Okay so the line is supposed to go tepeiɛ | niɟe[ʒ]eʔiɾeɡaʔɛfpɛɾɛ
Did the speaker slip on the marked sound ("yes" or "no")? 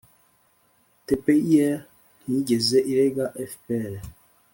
yes